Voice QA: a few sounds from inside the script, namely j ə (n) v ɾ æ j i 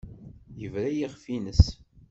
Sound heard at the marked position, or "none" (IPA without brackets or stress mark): none